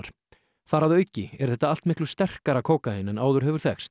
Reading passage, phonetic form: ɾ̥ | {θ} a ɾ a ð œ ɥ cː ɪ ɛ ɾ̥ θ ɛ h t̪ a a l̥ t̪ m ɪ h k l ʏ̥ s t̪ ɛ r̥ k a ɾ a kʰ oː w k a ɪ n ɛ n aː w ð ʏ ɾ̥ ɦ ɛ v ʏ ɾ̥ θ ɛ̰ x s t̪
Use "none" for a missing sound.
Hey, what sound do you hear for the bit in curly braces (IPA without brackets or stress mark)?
θ